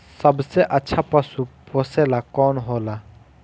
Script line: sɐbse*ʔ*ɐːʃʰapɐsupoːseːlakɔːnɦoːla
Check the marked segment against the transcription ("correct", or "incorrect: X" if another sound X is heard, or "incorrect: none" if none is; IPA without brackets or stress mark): correct